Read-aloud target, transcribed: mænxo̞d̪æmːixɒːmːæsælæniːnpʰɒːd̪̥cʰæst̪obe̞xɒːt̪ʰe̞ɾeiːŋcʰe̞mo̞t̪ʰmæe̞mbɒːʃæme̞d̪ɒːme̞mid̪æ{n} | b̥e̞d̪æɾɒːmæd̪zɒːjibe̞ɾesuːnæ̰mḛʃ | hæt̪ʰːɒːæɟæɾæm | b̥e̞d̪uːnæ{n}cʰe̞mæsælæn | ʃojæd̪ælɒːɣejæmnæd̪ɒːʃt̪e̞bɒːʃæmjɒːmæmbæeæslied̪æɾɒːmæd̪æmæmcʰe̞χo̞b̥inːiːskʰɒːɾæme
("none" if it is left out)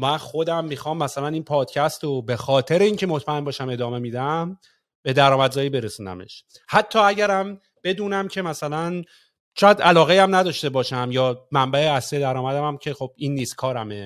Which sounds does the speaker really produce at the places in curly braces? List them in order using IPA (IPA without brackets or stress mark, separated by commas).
m, m